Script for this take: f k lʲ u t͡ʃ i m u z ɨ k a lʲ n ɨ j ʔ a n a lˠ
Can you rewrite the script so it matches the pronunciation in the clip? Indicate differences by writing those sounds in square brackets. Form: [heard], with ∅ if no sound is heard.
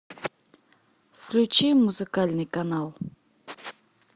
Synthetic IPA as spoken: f k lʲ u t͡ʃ i m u z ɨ k a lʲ n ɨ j [k] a n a lˠ